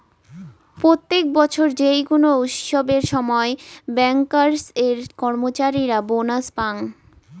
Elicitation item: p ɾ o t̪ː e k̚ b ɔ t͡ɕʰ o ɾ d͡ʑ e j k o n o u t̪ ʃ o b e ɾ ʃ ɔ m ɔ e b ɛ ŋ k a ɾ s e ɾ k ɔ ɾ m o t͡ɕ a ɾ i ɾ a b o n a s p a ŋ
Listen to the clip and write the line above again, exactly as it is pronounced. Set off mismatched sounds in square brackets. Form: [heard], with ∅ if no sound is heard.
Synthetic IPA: p ɾ o t̪ː e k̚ b ɔ t͡ɕʰ o ɾ d͡ʑ e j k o n o u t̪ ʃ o b e ɾ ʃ ɔ m ɔ e b ɛ ŋ k a ɾ s e ɾ k ɔ ɾ m o t͡ɕ a ɾ i ɾ a b o n a s p a ŋ